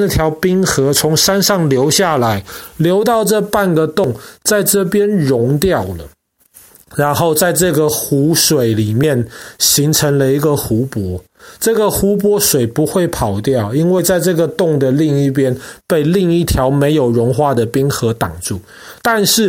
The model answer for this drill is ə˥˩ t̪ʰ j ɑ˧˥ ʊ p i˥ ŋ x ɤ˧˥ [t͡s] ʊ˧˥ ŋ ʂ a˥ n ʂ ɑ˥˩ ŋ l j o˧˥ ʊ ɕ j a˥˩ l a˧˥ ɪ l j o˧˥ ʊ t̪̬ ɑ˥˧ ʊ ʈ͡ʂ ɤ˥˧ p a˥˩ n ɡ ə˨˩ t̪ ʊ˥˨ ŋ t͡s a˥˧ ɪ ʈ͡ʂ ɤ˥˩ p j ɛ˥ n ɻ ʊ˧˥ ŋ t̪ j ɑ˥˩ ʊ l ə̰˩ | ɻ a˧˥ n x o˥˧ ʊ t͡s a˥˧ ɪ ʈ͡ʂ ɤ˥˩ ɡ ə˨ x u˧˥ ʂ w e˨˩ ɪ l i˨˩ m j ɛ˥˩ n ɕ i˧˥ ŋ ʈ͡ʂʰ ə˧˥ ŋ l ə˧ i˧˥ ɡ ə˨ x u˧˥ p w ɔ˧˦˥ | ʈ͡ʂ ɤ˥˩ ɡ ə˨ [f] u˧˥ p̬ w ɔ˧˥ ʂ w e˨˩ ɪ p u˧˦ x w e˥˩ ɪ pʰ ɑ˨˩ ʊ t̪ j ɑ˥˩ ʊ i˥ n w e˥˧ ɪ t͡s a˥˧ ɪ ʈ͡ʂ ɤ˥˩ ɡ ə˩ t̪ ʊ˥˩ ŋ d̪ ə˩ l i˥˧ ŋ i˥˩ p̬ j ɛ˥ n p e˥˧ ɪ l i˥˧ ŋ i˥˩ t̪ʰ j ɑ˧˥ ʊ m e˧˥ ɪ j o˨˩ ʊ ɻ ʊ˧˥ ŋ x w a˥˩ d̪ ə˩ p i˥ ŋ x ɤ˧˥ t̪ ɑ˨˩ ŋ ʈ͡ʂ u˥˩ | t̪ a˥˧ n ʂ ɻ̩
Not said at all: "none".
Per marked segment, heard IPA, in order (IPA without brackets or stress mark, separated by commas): t͡sʰ, x